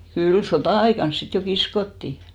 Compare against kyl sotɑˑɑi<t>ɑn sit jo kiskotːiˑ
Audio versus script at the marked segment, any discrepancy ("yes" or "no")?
yes